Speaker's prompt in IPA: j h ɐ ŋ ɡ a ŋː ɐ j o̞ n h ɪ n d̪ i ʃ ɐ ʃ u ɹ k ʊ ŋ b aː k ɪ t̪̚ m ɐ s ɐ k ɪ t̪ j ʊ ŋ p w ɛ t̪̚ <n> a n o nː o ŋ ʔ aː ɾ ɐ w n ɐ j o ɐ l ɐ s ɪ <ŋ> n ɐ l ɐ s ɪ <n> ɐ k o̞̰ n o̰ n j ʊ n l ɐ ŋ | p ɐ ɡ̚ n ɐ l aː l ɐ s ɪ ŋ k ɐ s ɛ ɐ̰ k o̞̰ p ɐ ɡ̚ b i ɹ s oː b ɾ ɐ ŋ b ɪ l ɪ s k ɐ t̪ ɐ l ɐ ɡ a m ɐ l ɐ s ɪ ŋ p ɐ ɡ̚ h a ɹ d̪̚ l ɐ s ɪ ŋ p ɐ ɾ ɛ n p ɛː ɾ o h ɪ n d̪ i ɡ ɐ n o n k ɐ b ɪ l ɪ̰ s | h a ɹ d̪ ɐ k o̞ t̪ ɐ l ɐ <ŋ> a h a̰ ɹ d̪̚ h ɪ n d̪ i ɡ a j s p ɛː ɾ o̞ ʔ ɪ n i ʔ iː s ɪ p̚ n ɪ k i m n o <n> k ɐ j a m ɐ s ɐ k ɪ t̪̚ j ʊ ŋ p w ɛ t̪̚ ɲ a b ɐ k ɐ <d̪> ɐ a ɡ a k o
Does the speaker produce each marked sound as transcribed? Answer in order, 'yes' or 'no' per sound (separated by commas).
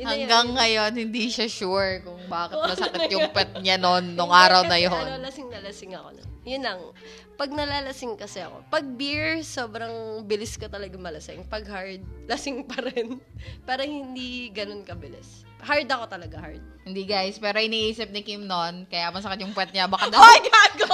no, yes, no, no, yes, yes